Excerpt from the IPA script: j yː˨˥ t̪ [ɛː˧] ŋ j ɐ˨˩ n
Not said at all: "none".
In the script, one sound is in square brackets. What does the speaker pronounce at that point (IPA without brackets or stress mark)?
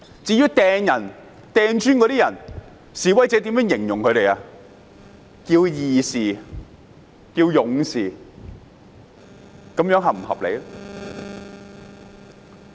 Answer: ɛː˧